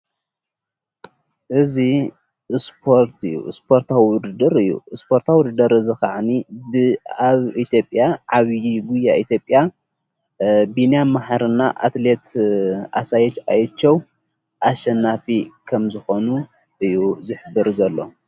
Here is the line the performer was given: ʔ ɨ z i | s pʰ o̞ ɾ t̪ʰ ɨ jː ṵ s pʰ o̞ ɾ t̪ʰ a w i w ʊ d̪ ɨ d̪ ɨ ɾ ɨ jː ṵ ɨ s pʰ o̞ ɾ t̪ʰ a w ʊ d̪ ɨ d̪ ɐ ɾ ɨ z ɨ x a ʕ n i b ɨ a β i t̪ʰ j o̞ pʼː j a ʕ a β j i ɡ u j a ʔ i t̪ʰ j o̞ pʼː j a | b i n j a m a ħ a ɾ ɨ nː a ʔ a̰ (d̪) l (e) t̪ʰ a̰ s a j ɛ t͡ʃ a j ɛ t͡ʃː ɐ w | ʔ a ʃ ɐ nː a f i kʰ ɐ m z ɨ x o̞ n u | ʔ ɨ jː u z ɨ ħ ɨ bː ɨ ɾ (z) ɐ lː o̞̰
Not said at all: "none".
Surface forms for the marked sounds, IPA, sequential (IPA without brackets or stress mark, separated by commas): t̪, e, z